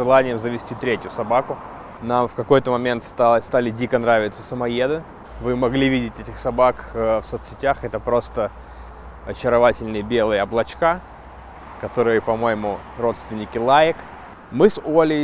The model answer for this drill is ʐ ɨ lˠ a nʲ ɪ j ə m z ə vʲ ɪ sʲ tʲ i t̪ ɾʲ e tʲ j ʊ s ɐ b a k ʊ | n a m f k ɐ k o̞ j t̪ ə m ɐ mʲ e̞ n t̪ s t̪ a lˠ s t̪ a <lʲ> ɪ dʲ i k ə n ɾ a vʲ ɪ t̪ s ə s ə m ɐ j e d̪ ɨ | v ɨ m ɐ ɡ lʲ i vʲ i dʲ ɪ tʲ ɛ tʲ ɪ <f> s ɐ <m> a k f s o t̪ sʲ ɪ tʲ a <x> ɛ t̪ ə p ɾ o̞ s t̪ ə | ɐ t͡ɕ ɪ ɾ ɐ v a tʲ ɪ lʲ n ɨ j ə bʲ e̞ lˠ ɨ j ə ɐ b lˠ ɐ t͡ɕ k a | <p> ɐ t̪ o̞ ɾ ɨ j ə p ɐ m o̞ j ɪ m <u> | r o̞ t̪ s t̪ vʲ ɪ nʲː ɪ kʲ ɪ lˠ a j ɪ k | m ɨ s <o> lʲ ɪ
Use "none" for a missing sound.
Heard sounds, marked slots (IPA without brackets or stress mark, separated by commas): lʲ, x, b, x, k, ʊ, o